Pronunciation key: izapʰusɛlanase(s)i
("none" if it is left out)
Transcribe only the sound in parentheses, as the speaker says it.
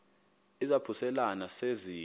z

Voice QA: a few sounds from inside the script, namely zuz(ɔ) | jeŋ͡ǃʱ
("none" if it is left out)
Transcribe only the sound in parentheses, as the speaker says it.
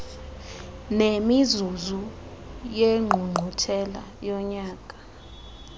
u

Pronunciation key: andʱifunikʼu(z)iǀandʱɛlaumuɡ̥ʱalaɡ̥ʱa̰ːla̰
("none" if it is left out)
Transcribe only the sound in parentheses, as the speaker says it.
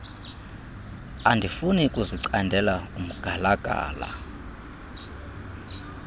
z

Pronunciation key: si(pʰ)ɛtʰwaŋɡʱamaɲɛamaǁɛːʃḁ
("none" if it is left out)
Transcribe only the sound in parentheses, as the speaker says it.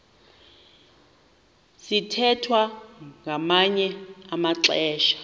tʰ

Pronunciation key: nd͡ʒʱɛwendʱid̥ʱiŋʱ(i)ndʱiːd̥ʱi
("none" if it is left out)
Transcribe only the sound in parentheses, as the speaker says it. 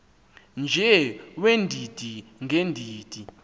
e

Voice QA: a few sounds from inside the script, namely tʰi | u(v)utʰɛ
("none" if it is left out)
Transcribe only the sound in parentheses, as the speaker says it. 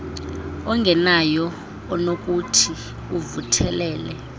v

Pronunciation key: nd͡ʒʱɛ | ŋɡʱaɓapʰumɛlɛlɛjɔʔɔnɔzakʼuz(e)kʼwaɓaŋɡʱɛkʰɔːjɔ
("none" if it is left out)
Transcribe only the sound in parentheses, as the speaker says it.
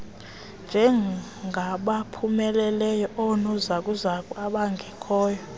a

